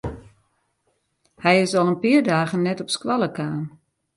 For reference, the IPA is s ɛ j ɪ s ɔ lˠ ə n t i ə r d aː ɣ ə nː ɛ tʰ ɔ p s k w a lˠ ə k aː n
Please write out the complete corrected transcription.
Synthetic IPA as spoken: h ɛ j ɪ s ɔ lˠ ə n p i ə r d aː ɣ ə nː ɛ t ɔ p s k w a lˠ ə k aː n